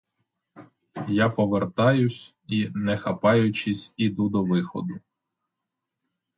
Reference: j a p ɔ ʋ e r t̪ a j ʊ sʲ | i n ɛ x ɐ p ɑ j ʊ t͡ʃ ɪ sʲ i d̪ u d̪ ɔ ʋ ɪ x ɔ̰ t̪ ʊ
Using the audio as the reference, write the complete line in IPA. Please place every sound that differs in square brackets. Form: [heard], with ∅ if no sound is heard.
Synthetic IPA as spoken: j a p ɔ ʋ e r t̪ [ɑ] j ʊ sʲ | i n ɛ x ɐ p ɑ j ʊ t͡ʃ ɪ sʲ i d̪ u d̪ ɔ ʋ ɪ x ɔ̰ [d̪] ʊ